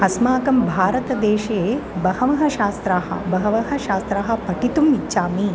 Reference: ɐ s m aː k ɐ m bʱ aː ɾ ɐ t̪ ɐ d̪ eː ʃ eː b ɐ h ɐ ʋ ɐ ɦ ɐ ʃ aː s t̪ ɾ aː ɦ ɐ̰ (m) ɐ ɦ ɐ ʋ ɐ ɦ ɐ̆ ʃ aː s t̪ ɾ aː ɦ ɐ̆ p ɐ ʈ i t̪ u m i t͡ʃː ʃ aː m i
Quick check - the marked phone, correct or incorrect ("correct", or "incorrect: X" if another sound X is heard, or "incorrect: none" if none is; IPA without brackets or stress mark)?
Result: incorrect: b